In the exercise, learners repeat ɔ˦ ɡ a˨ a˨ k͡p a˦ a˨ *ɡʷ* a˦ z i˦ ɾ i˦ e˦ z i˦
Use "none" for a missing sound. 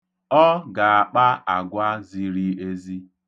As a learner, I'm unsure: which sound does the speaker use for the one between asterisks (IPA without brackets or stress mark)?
ɡʷ